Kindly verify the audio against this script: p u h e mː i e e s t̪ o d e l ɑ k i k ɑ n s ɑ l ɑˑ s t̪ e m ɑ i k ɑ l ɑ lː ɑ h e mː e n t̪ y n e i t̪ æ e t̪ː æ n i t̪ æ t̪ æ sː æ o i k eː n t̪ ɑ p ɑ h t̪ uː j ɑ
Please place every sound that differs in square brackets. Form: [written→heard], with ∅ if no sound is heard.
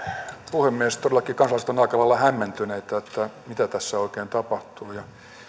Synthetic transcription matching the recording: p u h e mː i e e s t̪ o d e l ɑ k i k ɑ n s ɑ l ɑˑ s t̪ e [m→n] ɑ i k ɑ l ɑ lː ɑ h [e→æ] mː e n t̪ y n e i t̪ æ e t̪ː æ [n→m] i t̪ æ t̪ æ sː æ o i k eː n t̪ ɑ p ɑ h t̪ uː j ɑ